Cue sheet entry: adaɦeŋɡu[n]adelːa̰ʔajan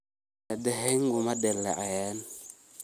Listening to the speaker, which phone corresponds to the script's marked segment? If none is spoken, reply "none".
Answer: m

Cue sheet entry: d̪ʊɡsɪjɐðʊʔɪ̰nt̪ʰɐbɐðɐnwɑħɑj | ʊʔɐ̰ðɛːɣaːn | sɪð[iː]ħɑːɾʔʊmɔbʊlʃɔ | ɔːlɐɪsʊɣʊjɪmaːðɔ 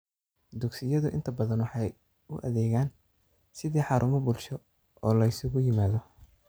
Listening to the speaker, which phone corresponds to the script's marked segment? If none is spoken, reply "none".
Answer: iː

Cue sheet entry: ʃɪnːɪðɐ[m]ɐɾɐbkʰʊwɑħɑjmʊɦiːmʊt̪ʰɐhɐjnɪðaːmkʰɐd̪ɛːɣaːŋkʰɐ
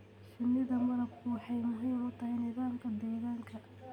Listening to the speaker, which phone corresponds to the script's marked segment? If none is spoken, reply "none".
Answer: m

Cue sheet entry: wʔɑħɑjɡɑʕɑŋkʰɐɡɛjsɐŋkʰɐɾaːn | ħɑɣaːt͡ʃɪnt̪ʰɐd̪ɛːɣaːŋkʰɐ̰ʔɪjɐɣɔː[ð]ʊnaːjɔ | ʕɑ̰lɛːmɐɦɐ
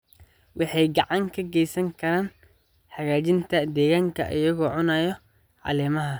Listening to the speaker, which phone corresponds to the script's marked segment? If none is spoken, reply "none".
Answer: ʕ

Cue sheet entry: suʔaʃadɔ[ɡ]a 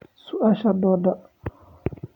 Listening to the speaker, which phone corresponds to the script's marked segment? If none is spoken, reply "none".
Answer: d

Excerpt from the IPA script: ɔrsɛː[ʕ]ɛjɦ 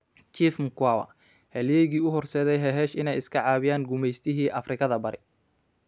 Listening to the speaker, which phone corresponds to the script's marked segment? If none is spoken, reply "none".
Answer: ð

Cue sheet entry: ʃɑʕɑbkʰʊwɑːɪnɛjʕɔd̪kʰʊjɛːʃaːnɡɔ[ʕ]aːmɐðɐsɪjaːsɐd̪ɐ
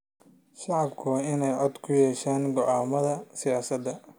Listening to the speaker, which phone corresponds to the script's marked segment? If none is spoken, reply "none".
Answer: ʕ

